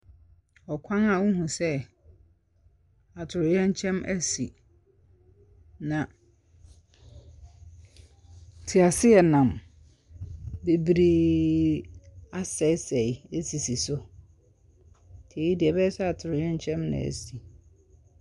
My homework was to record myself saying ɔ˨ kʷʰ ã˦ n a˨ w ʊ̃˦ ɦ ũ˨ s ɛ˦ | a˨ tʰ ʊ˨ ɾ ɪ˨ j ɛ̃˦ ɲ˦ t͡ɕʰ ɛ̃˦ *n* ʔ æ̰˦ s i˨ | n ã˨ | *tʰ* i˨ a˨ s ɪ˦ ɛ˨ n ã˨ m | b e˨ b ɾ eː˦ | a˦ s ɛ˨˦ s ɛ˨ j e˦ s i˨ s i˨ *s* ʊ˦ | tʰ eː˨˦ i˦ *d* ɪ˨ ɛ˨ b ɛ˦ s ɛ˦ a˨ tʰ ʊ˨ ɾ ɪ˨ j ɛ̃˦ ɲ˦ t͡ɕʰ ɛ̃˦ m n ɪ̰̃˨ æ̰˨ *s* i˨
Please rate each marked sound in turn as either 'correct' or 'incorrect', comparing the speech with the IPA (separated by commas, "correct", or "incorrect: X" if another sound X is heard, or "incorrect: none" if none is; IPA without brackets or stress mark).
incorrect: m, correct, correct, correct, correct